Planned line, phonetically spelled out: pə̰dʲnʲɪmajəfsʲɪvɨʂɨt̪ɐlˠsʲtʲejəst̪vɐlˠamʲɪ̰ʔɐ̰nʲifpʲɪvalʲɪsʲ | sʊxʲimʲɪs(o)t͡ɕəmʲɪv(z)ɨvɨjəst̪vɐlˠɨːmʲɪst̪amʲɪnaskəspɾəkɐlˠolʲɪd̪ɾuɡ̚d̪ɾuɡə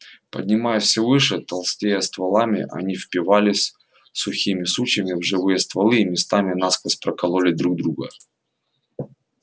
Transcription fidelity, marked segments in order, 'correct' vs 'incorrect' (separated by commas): incorrect, incorrect